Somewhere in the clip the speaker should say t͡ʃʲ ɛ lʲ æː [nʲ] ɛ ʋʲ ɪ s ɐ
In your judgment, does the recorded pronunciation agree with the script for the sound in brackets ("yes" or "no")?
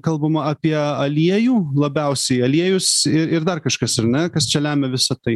no